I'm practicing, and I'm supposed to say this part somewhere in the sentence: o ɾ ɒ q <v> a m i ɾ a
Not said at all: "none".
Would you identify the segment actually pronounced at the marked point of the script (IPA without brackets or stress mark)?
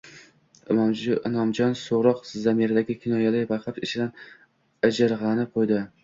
z